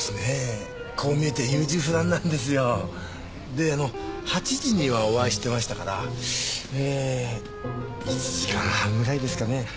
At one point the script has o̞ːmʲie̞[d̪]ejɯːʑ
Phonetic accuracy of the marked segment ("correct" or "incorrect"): incorrect